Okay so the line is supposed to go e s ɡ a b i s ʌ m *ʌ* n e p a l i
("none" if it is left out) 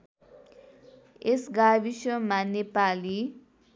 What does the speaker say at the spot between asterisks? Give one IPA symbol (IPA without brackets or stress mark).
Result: a